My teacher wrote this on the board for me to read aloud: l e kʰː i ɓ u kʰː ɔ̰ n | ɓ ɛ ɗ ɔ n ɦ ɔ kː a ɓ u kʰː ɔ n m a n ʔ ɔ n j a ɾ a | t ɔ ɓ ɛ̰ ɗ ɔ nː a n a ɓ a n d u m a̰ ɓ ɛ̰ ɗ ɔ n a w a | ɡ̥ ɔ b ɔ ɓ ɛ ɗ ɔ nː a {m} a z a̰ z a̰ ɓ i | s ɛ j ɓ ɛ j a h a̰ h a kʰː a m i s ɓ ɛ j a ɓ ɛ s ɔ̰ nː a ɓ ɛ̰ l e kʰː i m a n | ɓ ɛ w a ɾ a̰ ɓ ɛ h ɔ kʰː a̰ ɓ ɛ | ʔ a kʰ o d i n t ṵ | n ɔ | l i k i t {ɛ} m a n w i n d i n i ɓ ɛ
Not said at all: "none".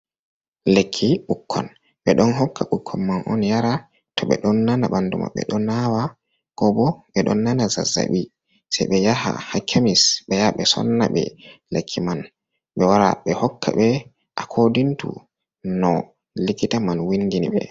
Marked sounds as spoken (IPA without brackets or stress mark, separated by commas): n, a